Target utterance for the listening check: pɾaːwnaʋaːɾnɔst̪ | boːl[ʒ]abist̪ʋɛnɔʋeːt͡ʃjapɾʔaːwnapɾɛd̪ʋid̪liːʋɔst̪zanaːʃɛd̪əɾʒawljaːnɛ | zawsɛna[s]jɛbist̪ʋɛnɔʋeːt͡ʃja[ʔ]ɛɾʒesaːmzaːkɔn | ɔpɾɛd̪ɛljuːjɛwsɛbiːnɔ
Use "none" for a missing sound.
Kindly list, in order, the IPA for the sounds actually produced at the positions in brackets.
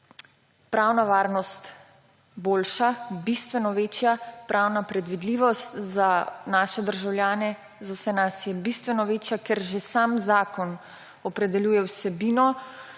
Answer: ʃ, s, k

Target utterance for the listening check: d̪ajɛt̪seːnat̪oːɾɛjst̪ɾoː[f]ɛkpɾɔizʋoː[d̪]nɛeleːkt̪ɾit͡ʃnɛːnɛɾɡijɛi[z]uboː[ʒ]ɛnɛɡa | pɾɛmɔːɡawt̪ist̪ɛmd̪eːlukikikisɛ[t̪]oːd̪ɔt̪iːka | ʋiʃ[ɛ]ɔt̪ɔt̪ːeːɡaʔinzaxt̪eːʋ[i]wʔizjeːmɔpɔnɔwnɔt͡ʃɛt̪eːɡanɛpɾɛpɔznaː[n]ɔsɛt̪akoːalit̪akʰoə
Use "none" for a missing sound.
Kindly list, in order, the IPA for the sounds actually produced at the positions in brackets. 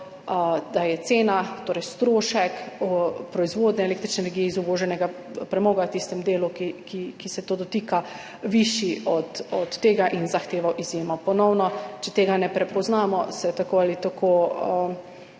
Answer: ʃ, d̪, z, ʒ, t̪, i, a, m

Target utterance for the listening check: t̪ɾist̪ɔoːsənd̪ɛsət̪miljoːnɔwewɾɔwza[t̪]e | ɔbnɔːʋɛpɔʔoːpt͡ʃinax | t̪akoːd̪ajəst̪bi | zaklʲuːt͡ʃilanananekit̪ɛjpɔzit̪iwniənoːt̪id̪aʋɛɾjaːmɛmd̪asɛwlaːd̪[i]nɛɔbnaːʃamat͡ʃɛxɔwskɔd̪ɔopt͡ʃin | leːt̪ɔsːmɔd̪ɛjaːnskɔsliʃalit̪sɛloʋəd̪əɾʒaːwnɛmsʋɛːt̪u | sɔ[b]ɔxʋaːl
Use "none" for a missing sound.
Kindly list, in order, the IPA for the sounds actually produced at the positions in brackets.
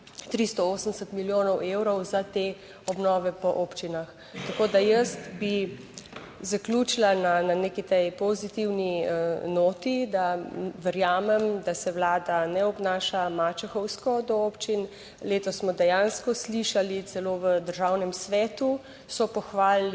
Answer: t̪, a, p

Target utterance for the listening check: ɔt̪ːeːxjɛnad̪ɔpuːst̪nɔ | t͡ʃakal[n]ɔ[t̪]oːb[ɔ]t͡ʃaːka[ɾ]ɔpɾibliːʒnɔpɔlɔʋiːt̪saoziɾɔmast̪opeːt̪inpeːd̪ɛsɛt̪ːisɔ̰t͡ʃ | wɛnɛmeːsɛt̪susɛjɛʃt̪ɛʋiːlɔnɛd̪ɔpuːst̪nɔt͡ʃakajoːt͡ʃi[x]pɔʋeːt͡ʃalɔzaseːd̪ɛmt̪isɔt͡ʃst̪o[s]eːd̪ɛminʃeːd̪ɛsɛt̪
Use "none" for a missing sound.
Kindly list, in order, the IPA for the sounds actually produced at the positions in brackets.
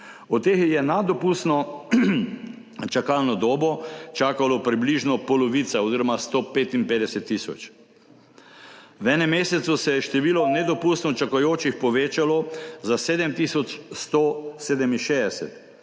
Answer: n, d̪, ɔ, l, x, s

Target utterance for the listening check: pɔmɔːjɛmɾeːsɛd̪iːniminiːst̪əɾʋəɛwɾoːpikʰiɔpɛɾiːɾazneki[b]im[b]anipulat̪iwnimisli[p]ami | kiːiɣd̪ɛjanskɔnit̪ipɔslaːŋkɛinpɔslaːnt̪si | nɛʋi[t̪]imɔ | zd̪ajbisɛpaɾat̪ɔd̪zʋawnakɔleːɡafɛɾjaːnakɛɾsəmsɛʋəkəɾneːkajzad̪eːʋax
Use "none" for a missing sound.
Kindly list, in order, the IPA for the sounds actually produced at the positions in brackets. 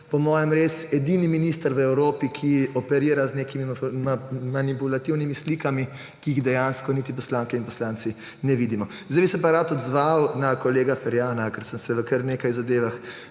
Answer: m, m, k, d̪

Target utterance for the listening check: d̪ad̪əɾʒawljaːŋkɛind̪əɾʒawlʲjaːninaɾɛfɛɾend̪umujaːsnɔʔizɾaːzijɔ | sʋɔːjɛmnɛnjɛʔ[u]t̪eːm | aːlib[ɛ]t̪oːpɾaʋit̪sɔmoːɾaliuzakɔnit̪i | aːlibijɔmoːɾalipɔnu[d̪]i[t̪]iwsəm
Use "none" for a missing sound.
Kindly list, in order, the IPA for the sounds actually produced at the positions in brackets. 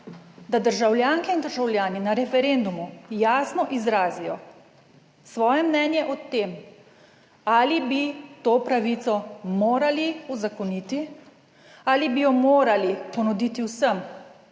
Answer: ɔ, i, d̪, t̪

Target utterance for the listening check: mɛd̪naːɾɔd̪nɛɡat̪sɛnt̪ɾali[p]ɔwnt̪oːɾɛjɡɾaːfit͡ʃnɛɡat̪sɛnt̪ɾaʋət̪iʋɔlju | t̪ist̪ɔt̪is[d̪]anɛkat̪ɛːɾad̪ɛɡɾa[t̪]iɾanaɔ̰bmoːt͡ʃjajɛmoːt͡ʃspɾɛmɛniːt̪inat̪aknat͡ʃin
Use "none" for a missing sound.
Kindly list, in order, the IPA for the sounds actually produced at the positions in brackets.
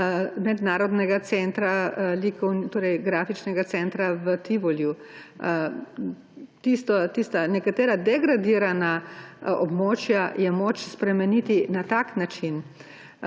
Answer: k, t̪, d̪

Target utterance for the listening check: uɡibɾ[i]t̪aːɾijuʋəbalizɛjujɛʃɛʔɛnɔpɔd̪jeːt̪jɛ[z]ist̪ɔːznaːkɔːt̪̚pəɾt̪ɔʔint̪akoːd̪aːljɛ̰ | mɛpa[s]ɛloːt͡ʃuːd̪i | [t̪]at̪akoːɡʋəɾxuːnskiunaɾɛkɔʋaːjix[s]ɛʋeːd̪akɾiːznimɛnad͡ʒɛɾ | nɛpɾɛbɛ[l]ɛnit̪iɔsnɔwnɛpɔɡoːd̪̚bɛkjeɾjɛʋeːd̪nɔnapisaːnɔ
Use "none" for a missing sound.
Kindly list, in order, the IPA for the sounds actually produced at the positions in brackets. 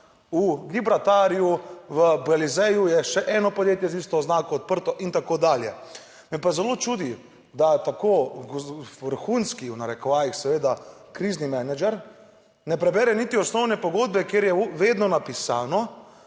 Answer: a, z, z, d̪, s, ɾ

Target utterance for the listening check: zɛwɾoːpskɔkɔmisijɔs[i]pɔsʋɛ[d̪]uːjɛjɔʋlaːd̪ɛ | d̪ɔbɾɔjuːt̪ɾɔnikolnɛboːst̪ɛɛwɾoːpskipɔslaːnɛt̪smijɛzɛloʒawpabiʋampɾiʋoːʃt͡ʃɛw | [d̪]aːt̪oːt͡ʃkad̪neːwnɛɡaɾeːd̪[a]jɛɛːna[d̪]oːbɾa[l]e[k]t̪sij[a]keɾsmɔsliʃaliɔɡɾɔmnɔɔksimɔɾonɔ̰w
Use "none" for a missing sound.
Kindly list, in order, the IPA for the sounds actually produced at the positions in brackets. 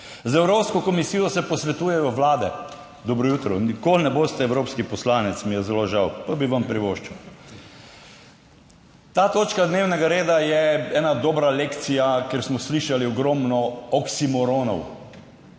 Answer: ɛ, t̪, t̪, a, d̪, l, k, a

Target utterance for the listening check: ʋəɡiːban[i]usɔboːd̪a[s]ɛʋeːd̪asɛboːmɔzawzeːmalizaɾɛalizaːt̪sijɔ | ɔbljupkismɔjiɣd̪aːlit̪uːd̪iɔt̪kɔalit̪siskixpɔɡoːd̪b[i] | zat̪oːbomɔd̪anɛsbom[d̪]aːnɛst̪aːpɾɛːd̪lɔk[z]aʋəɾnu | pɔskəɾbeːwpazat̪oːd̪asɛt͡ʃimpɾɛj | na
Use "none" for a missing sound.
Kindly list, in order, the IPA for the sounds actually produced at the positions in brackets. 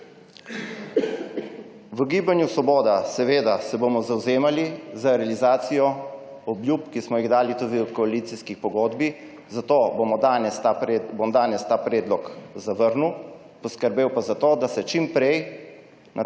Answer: j, s, i, d̪, z

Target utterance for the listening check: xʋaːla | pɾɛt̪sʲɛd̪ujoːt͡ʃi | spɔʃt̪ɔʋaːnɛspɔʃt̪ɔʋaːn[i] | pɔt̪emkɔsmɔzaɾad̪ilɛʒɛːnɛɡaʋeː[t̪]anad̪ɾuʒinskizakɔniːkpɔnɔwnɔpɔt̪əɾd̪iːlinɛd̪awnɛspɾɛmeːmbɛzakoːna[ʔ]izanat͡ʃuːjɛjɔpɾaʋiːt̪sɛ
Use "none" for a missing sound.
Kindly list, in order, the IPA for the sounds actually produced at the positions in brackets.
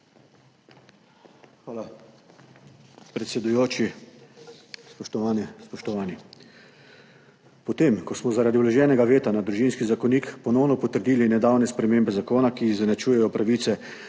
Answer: i, t̪, k

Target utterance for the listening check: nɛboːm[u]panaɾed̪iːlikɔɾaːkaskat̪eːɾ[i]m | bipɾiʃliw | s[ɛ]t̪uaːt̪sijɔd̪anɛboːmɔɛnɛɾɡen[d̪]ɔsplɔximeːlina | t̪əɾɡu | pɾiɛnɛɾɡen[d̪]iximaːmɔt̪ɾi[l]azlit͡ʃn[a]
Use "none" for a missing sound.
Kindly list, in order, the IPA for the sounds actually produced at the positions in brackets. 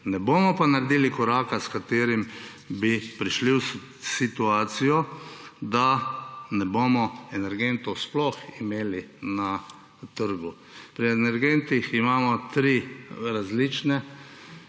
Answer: ɔ, i, i, t̪, t̪, ɾ, ɛ

